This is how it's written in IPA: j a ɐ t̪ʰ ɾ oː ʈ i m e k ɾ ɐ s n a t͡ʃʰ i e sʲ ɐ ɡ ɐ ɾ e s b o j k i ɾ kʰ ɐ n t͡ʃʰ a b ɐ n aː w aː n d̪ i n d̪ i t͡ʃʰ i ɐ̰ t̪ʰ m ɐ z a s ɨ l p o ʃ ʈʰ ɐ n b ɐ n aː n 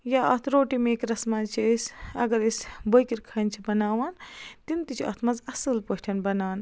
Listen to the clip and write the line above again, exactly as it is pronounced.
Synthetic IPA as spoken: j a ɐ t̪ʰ ɾ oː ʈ i m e k ɾ ɐ s m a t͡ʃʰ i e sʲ ɐ ɡ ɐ ɾ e s b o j k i ɾ kʰ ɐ n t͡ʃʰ i b ɐ n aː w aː n t̪ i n t̪ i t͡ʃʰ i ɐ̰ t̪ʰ m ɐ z ɐ s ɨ l p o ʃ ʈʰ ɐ n b ɐ n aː n